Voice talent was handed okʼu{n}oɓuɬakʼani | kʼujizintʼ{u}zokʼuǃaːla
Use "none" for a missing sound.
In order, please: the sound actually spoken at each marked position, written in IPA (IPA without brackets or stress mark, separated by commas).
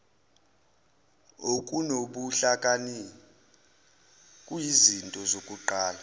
n, ɔ